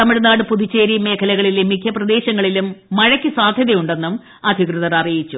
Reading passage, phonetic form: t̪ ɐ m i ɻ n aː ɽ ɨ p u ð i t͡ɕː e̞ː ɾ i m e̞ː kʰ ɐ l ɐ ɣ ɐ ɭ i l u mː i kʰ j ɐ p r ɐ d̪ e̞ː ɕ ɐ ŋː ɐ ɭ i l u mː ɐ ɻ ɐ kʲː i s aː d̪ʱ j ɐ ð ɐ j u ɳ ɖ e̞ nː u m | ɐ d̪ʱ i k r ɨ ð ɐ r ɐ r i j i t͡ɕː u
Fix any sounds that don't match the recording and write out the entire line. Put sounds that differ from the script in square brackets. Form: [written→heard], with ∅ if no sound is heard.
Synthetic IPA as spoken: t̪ ɐ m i ɻ n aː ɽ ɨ p u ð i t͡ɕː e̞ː ɾ i m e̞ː kʰ ɐ l ɐ ɣ ɐ ɭ i l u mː i kʰ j ɐ p r ɐ d̪ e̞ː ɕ ɐ ŋː ɐ ɭ i l u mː ɐ ɻ ɐ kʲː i s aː d̪ʱ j ɐ ð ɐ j u ɳ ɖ e̞ nː u m | ɐ d̪ʱ i k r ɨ ð ɐ [r→ɾ] ɐ r i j i t͡ɕː u